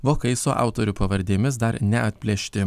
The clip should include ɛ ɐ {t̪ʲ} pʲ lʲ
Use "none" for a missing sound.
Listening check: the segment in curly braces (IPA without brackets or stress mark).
t̪ʲ